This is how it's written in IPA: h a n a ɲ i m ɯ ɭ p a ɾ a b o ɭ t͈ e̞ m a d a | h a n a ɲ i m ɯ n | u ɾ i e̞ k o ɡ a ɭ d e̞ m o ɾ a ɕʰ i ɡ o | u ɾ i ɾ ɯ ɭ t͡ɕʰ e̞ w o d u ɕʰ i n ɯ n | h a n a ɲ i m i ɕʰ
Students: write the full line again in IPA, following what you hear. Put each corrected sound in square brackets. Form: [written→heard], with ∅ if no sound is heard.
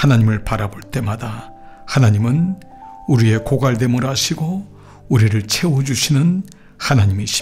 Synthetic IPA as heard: h a n a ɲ i m ɯ ɭ p a ɾ a b o ɭ t͈ e̞ m a d a | h a n a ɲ i m ɯ n | u ɾ i e̞ k o ɡ a ɭ d e̞ m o ɾ a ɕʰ i ɡ o | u ɾ i ɾ ɯ ɭ t͡ɕʰ e̞ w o [d→d͡ʑ] u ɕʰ i n ɯ n | h a n a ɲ i m i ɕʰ